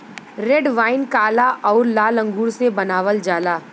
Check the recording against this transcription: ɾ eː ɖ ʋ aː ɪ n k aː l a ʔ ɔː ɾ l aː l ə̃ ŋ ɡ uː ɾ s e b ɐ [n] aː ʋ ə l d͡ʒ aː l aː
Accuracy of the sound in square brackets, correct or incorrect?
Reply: correct